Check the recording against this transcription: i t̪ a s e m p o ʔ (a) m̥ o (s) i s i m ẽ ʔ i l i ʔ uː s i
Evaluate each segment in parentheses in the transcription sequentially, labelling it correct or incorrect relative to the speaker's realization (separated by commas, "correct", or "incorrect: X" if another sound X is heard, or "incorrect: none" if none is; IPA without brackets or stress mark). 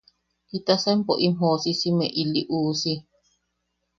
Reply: incorrect: i, correct